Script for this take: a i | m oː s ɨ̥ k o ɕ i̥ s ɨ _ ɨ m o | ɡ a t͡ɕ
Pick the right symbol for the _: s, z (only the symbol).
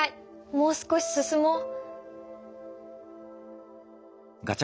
s